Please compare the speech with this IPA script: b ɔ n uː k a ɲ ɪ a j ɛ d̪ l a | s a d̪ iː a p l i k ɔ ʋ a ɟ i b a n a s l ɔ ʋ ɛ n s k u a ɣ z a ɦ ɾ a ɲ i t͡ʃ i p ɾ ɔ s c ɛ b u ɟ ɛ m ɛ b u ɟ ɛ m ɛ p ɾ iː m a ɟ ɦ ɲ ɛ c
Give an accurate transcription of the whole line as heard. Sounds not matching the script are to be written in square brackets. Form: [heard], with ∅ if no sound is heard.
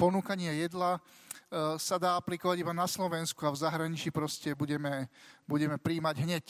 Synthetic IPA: [p] ɔ n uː k a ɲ ɪ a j ɛ d̪ l a | s a d̪ [aː] a p l i k ɔ ʋ a ɟ i b a n a s l ɔ ʋ ɛ n s k u a [v] z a ɦ ɾ a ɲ i t͡ʃ i p ɾ ɔ s c ɛ b u ɟ ɛ m ɛ b u ɟ ɛ m ɛ p ɾ iː m a ɟ ɦ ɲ ɛ c